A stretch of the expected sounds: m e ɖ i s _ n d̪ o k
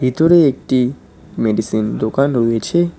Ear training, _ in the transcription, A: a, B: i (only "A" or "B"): B